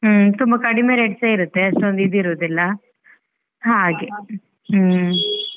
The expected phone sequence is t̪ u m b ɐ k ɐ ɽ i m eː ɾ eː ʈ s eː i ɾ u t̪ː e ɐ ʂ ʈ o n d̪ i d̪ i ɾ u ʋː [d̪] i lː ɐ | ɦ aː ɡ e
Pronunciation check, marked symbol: correct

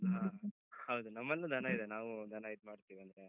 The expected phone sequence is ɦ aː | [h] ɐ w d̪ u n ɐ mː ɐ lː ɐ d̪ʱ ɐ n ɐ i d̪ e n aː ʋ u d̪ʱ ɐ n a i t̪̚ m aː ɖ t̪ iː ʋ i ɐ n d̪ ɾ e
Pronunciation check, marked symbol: correct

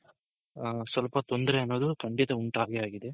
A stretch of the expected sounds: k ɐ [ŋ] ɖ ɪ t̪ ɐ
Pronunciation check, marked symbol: incorrect: ɳ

